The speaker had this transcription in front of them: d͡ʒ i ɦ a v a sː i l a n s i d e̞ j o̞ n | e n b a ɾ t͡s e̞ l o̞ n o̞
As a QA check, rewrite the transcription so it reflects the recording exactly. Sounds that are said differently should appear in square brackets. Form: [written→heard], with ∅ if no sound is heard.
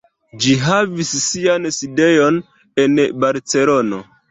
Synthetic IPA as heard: d͡ʒ i ɦ a v [a→i] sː i [l→∅] a n s i d e̞ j o̞ n | e n b a ɾ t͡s e̞ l o̞ n o̞